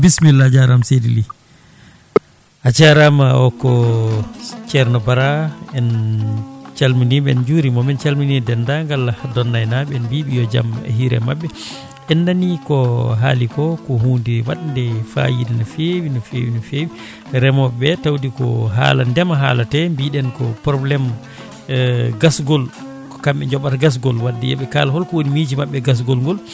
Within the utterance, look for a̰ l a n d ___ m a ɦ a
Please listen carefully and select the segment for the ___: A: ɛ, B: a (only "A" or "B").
A